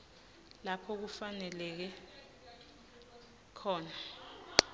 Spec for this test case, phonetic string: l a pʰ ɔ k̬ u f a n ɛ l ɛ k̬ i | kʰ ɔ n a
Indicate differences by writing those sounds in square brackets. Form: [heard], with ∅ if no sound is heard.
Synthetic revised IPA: l a pʰ ɔ k̬ u f a n ɛ l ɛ k̬ [ɛ] | kʰ [ɔː] n a